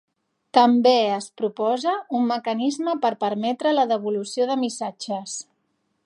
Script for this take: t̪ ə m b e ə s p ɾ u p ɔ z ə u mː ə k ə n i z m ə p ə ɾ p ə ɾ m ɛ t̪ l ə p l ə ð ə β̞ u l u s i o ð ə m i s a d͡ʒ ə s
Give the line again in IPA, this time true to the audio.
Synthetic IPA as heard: t̪ ə m b e ə s p ɾ u p ɔ z ə u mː ə k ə n i z m ə p ə ɾ p ə ɾ m ɛ t̪ ɾ ə l ə ð ə β̞ u l u s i o ð ə m i s a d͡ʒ ə s